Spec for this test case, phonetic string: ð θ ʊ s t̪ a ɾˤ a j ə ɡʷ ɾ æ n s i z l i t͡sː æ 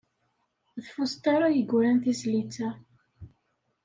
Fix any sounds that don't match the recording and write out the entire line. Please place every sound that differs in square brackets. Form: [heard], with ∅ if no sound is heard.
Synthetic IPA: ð [f] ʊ s t̪ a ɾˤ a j ə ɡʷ ɾ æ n [θ] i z l i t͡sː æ